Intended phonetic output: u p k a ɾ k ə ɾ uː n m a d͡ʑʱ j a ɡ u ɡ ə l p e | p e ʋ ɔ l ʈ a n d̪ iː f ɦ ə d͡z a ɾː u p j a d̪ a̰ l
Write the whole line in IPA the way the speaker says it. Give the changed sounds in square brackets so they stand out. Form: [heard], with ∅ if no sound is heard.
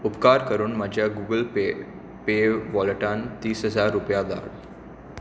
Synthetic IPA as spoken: u p k a ɾ k ə ɾ uː n m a d͡ʑʱ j a ɡ u ɡ ə l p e | p e ʋ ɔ l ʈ a n [t̪] iː [s] ɦ ə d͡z a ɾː u p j a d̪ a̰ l